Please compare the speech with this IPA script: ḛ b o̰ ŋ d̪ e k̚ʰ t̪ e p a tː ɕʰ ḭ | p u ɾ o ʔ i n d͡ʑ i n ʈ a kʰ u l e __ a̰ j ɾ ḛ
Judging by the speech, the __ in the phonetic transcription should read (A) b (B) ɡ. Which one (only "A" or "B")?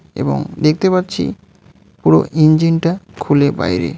A